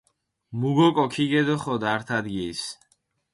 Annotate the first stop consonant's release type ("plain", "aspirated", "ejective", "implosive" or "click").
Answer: plain